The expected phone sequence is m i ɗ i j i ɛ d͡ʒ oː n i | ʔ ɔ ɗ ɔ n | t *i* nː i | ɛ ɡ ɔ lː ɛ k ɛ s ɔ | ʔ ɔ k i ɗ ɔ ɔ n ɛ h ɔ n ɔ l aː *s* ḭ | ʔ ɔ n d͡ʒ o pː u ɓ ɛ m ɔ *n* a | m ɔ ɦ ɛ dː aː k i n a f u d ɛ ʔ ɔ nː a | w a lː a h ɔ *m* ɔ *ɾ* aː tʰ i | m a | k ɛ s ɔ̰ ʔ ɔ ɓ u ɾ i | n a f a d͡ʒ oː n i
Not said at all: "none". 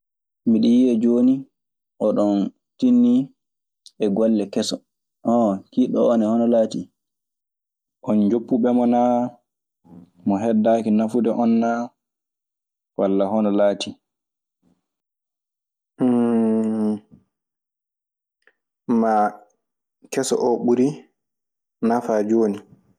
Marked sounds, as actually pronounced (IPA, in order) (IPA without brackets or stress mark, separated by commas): i, t, n, n, l